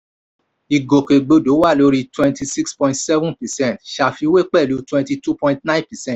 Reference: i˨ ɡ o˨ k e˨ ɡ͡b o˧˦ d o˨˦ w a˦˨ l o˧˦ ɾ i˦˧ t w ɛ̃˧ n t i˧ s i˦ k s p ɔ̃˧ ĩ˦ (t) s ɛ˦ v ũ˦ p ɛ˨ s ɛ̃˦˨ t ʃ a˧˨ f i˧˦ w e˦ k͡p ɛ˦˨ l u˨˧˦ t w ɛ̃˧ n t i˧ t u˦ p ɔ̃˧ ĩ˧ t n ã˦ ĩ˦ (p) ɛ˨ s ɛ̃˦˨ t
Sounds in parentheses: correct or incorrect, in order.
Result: correct, correct

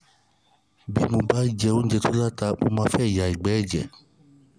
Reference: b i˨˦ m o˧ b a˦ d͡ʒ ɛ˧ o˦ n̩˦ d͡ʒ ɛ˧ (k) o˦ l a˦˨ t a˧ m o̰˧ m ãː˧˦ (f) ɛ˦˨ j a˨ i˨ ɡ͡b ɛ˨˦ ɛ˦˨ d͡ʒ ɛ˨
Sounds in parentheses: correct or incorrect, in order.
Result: incorrect: t, correct

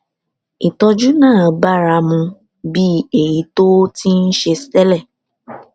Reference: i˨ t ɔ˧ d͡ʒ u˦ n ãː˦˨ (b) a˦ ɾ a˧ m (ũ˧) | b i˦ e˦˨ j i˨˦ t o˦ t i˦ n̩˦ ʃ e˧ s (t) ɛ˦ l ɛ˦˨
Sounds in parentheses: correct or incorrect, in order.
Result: correct, correct, correct

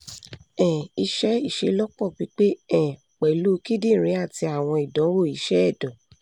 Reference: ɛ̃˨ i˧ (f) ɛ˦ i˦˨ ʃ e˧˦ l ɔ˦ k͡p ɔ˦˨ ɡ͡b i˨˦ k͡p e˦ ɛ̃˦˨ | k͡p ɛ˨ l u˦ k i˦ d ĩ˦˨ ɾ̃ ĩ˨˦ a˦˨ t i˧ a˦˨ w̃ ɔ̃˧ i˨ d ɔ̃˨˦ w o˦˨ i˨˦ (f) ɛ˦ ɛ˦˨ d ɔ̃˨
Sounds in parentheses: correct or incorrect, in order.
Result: incorrect: ʃ, incorrect: ʃ

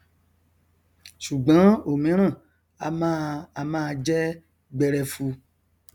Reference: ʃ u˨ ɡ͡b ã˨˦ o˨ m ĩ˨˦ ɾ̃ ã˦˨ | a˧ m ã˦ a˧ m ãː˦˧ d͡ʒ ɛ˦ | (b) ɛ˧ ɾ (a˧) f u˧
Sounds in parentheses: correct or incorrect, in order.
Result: incorrect: ɡ͡b, incorrect: ɛ˧

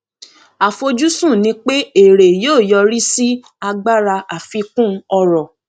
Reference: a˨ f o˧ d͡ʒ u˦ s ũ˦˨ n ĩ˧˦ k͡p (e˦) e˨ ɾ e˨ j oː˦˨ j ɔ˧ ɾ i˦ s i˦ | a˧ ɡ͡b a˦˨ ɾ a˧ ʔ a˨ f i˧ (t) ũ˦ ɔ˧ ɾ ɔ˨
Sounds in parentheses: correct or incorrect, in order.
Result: correct, incorrect: k

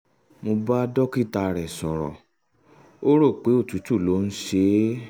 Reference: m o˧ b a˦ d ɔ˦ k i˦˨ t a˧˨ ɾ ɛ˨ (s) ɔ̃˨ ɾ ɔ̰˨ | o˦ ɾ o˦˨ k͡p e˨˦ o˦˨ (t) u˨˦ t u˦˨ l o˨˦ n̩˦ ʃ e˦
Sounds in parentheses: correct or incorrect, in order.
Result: correct, correct

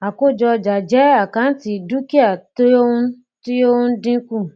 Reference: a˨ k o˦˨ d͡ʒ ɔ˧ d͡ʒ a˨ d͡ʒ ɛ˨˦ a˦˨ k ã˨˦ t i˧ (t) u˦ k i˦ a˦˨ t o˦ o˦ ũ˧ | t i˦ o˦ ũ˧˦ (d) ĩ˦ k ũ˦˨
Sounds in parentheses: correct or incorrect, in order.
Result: incorrect: d, correct

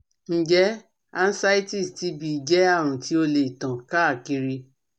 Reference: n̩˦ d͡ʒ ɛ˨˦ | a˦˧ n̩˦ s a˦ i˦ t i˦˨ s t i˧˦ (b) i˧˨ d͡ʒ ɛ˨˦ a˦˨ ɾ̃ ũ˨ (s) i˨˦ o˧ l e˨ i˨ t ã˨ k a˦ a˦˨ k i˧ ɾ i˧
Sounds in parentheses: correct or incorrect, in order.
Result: correct, incorrect: t

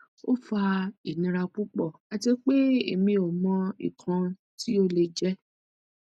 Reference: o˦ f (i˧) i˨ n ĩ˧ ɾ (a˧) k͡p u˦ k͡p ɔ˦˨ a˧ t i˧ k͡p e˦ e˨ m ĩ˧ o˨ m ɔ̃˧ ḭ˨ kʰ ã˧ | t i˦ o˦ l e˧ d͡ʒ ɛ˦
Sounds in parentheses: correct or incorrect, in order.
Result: incorrect: a˧, correct

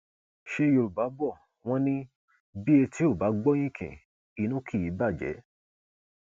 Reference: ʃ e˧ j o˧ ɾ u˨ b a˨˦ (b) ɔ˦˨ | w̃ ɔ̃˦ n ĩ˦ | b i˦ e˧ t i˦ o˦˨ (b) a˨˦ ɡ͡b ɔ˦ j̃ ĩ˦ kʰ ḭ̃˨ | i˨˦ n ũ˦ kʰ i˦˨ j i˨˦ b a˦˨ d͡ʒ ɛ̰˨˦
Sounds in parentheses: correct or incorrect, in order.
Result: correct, correct

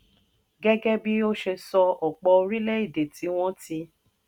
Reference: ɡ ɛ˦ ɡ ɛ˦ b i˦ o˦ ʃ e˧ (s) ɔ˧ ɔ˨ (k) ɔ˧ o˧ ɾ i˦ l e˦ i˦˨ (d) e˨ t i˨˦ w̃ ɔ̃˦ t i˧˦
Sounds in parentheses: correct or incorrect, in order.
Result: correct, incorrect: k͡p, correct

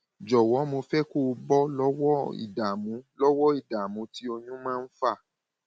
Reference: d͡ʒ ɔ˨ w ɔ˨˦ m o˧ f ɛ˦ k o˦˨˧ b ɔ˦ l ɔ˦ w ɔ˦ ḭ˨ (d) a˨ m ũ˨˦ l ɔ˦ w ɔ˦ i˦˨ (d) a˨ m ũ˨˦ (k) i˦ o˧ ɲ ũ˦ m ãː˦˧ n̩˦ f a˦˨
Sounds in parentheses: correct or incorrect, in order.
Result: correct, correct, incorrect: t

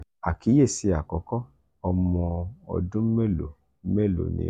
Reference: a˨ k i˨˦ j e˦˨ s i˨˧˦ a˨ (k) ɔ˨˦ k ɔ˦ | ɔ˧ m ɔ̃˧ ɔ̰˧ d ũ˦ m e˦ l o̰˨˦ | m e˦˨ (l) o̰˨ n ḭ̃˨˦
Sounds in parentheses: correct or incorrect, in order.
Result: correct, correct

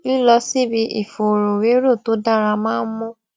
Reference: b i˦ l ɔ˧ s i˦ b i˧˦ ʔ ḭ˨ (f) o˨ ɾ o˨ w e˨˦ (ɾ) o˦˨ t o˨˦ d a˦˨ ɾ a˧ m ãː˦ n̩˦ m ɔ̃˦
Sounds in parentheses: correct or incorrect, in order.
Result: correct, correct

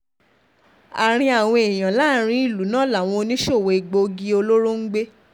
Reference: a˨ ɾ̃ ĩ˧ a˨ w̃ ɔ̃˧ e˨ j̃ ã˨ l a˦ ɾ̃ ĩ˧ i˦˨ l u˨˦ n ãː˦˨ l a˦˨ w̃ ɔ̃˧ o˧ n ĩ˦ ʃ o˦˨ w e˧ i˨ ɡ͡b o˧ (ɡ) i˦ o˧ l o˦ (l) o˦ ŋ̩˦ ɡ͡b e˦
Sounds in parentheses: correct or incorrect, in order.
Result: correct, incorrect: ɾ

